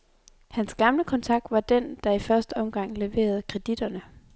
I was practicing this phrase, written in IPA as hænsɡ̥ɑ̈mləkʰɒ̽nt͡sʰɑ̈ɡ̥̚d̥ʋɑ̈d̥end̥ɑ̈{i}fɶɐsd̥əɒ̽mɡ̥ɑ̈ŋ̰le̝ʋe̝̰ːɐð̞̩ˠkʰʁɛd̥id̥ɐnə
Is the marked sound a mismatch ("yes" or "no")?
no